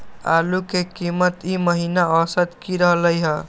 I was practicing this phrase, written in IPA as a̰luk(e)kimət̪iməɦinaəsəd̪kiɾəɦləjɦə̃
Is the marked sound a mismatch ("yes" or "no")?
no